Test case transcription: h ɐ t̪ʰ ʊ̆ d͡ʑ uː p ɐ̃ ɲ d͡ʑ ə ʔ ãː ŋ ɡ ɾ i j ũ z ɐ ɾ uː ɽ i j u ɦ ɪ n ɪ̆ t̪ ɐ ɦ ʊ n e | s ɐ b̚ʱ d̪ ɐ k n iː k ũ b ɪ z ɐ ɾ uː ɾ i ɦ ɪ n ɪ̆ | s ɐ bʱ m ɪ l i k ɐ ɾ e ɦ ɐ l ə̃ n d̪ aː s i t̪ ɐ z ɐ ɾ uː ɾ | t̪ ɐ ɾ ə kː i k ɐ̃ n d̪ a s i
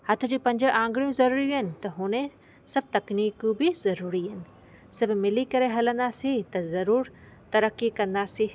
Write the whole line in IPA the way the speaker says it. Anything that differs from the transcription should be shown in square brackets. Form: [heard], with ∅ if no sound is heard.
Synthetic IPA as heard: h ɐ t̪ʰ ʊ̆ d͡ʑ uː p ɐ̃ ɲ d͡ʑ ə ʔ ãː ŋ ɡ [ɽ] i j ũ z ɐ ɾ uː [ɾ] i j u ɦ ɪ n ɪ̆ t̪ ɐ ɦ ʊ n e | s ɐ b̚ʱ [t̪] ɐ k n iː k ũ b ɪ z ɐ ɾ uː ɾ i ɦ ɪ n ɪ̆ | s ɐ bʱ m ɪ l i k ɐ ɾ e ɦ ɐ l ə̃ n d̪ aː s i t̪ ɐ z ɐ ɾ uː ɾ | t̪ ɐ ɾ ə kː i k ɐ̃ n d̪ a s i